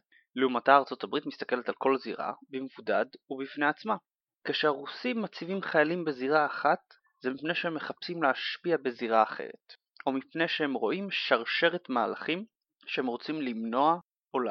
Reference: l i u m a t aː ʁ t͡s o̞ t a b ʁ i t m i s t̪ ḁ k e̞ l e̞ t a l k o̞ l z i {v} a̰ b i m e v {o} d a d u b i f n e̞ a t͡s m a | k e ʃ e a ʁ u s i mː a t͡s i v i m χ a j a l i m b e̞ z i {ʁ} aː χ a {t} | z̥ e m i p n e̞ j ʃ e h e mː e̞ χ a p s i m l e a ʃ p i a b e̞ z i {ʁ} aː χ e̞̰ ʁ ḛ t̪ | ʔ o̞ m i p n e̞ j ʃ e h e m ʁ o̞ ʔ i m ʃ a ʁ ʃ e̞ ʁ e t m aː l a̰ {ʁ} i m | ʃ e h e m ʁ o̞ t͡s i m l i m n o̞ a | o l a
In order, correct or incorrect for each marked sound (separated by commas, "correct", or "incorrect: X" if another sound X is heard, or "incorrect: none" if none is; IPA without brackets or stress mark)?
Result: incorrect: ʁ, incorrect: u, correct, correct, correct, incorrect: χ